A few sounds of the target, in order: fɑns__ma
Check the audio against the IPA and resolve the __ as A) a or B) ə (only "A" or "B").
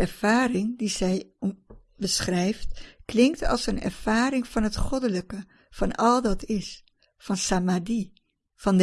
A